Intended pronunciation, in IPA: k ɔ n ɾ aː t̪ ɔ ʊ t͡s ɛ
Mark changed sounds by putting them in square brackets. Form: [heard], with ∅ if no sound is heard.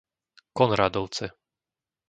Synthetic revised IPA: k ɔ n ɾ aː [d̪] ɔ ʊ t͡s ɛ